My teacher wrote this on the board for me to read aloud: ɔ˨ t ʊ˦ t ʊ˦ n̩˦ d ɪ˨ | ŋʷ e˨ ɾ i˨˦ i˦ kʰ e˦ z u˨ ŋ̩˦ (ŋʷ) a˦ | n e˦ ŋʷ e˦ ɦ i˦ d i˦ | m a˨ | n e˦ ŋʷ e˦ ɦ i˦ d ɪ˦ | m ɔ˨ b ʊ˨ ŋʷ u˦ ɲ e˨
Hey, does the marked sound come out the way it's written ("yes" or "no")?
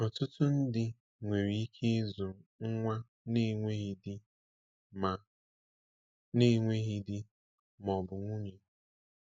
yes